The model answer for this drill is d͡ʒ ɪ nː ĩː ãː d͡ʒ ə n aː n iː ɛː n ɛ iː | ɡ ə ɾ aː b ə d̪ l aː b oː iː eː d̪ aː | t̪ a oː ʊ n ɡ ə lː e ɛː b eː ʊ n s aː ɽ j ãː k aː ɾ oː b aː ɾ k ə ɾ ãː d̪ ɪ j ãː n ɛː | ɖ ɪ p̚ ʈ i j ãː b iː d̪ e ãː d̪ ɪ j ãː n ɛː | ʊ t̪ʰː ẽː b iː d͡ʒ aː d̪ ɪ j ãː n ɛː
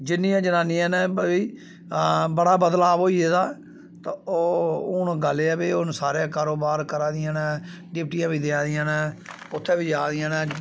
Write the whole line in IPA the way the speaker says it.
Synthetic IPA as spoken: d͡ʒ ɪ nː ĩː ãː d͡ʒ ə n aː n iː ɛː n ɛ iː | b ə ɽ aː b ə d̪ l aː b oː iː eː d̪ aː | t̪ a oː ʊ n ɡ ə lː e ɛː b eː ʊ n s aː ɾ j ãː k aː ɾ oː b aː ɾ k ə ɾ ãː d̪ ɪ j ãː n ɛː | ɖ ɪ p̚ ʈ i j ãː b iː d̪ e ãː d̪ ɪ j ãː n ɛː | ʊ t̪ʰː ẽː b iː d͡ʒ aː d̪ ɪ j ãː n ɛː